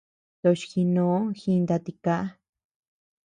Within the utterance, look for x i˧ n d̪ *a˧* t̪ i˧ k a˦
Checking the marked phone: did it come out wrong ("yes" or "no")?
no